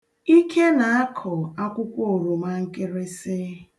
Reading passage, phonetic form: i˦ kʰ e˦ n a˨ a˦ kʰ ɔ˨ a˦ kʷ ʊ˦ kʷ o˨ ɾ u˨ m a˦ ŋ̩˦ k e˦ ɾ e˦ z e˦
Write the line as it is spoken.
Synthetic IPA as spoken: i˦ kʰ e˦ n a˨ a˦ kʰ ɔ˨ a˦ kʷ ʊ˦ kʷ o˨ ɾ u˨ m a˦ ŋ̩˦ k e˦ ɾ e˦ s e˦